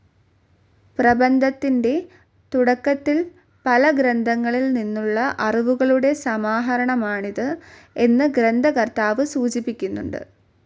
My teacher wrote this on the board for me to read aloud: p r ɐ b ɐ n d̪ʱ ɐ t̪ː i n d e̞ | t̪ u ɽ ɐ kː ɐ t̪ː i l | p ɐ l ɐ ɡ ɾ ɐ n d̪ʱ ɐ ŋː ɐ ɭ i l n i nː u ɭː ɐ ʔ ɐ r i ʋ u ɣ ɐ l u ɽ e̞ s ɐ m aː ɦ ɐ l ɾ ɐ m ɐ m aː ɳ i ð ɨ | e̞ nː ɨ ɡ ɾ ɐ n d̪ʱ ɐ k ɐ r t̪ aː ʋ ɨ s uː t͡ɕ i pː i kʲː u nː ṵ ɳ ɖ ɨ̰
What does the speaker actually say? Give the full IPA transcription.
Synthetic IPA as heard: p r ɐ b ɐ n d̪ʱ ɐ t̪ː i n d e̞ | t̪ u ɽ ɐ kː ɐ t̪ː i l | p ɐ l ɐ ɡ ɾ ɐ n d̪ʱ ɐ ŋː ɐ ɭ i l n i nː u ɭː ɐ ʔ ɐ r i ʋ u ɣ ɐ ɭ u ɽ e̞ s ɐ m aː ɦ ɐ ɾ ɐ ɳ ɐ m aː ɳ i ð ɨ | e̞ nː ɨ ɡ ɾ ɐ n d̪ʱ ɐ k ɐ r t̪ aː ʋ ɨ s uː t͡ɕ i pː i kʲː u nː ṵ ɳ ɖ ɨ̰